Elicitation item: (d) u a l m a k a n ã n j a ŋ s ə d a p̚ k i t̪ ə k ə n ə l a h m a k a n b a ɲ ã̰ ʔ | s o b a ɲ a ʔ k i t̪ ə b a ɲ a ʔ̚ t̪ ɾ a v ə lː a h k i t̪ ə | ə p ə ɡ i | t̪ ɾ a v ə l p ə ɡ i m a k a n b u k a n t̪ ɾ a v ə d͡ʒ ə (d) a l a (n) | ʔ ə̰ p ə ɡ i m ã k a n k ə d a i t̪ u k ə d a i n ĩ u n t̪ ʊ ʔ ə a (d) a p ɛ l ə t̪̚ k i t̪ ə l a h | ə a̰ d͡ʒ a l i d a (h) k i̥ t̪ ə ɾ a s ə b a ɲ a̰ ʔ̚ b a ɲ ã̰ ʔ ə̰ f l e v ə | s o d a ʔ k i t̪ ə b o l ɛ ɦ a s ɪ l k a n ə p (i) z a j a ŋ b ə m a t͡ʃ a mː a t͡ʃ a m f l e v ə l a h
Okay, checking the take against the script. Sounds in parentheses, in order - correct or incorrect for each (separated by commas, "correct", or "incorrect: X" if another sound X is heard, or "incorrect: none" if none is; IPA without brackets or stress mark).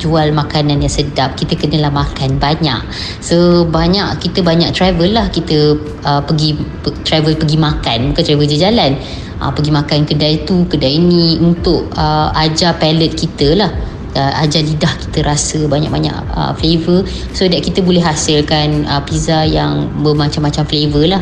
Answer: incorrect: d͡ʒ, incorrect: d͡ʒ, correct, incorrect: d͡ʒ, correct, correct